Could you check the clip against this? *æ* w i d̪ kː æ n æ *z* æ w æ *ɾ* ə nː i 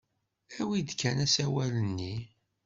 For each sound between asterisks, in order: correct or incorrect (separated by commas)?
correct, incorrect, incorrect